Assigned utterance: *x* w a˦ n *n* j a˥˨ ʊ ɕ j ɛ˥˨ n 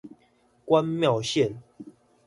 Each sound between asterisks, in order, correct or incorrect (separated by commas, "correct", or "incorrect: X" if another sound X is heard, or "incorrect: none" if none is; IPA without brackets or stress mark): incorrect: k, incorrect: m